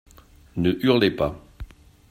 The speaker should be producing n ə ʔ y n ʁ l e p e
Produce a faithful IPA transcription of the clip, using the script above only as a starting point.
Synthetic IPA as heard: n ə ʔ y ʁ l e p a